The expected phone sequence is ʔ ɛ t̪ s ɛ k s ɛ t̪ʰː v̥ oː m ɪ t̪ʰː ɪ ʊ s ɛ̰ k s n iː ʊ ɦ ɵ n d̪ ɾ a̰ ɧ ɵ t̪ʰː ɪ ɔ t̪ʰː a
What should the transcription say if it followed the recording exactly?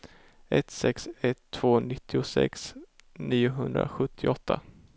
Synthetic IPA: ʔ ɛ t̪ s ɛ k s ɛ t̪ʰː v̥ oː n ɪ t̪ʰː ɪ ʊ s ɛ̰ k s n iː ʊ ɦ ɵ n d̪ ɾ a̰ ɧ ɵ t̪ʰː ɪ ɔ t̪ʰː a